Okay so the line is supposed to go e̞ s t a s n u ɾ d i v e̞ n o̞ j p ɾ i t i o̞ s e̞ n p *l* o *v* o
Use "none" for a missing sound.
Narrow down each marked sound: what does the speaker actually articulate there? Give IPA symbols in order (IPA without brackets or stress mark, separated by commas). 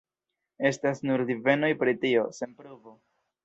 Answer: ɾ, v